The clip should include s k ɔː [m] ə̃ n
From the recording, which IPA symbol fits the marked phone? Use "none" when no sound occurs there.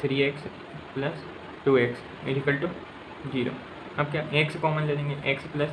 m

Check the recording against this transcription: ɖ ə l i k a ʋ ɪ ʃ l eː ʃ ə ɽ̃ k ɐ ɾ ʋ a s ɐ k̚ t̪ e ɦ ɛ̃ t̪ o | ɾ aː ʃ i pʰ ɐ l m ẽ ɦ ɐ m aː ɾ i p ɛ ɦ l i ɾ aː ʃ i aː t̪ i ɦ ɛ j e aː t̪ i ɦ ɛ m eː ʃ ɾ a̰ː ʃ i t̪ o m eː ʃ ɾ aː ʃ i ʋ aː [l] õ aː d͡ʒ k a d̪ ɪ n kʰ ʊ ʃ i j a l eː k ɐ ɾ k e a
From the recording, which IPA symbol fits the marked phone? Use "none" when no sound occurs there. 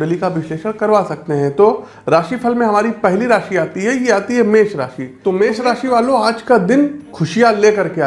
l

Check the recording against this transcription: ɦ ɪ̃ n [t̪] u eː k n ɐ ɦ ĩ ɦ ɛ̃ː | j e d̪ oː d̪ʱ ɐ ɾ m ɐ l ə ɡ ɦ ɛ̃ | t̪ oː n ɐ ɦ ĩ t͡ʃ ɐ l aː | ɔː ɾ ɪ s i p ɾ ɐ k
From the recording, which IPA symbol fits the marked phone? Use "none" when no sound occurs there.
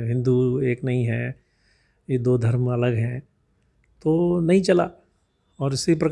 d̪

